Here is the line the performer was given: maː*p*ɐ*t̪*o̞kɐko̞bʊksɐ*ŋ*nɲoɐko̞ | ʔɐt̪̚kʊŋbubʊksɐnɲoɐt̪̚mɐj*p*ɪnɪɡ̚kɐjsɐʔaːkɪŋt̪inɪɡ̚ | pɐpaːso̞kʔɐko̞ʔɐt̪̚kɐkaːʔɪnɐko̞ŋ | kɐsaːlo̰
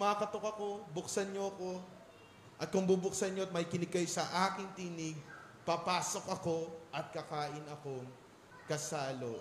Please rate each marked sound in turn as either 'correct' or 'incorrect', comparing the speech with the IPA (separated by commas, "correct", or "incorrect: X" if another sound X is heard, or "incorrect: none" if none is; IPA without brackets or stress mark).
incorrect: k, correct, incorrect: none, incorrect: k